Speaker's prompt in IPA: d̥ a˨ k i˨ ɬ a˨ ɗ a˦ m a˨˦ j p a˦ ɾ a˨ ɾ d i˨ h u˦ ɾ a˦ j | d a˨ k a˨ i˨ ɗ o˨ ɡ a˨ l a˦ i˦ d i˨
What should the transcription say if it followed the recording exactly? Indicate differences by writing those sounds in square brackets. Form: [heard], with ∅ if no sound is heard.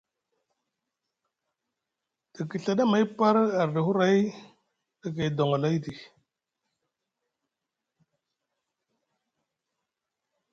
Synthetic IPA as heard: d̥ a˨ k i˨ ɬ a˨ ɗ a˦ m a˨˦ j p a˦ ɾ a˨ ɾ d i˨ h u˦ ɾ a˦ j | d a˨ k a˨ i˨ [d] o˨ [ŋ] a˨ l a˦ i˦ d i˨